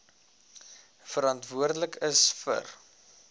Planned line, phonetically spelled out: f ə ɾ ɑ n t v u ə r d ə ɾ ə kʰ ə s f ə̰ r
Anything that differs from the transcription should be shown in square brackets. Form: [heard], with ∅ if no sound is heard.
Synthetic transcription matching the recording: f ə ɾ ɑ n t v u ə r d ə [l] ə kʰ ə s f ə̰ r